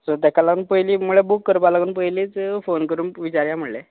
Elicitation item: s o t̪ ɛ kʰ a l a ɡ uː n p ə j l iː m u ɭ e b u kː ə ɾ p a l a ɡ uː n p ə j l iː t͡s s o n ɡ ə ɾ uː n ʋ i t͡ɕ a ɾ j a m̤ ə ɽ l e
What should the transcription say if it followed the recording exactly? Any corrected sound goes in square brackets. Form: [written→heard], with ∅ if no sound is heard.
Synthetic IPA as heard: s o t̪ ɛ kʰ a l a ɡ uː n p ə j l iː m u ɭ e b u kː ə ɾ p a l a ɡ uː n p ə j l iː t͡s [s→f] o n [ɡ→k] ə ɾ uː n ʋ i t͡ɕ a ɾ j a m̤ ə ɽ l e